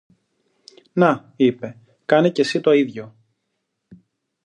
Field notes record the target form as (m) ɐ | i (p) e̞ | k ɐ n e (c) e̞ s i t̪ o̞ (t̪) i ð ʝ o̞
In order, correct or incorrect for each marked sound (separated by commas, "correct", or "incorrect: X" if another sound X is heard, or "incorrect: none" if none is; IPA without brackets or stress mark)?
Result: incorrect: n, correct, correct, incorrect: none